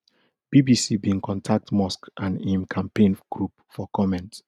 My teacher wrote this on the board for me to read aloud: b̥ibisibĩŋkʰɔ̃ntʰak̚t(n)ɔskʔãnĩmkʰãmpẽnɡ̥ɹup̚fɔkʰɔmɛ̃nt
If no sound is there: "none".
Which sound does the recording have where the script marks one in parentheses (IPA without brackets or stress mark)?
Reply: m